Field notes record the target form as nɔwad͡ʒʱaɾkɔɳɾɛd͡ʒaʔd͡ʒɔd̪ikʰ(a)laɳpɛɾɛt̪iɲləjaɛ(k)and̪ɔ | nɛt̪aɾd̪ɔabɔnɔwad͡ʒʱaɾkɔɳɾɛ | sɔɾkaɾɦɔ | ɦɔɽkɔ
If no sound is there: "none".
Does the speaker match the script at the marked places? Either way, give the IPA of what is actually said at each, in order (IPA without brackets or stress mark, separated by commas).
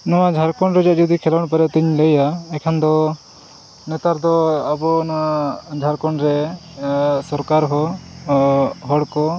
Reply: ɛ, kʰ